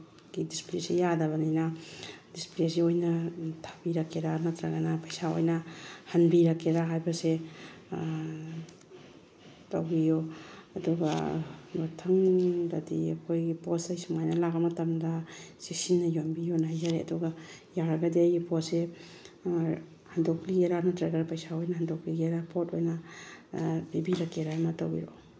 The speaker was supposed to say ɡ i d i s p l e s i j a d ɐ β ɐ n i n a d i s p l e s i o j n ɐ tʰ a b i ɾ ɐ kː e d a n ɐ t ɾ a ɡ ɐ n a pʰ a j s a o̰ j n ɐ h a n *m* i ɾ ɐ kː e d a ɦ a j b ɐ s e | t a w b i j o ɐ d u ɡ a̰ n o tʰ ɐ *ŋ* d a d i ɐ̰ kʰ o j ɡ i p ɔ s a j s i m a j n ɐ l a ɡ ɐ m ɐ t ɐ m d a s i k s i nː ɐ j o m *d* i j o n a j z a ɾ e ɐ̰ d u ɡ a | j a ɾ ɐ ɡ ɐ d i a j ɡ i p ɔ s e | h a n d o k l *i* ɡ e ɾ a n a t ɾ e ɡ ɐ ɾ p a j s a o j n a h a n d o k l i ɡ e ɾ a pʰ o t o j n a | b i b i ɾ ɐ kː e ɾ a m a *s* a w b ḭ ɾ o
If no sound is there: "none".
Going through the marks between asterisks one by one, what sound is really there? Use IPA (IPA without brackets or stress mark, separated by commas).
b, ŋ, b, i, t